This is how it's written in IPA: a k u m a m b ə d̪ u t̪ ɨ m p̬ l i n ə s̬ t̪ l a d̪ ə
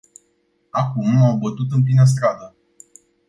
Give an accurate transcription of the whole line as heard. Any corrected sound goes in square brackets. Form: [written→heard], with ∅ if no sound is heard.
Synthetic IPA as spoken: a k u m a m b ə [d̪→t̪] u t̪ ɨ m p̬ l i n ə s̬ t̪ [l→ɾ] a d̪ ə